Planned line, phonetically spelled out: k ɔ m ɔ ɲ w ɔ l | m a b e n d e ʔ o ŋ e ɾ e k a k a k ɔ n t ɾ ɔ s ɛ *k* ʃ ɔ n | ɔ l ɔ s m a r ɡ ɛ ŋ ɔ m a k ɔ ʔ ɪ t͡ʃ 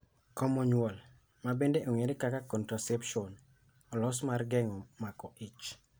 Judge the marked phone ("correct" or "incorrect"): incorrect